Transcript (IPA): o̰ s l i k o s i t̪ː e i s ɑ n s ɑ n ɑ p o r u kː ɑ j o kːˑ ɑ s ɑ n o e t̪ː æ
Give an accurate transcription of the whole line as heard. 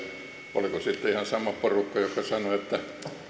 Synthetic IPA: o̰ l i k o s i t̪ː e i h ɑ n s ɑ m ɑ p o r u kː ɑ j o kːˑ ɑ s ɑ n o e t̪ː æ